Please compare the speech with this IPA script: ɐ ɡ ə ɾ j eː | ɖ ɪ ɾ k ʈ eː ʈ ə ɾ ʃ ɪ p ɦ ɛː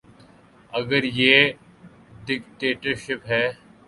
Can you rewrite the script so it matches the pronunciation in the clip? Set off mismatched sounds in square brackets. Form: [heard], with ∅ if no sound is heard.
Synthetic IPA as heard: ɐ ɡ ə ɾ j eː | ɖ ɪ [∅] k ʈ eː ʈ ə ɾ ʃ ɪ p ɦ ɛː